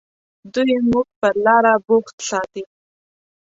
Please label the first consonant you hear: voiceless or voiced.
voiced